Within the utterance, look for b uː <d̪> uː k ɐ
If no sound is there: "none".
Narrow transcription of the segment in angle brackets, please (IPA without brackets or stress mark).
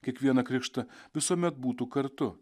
t̪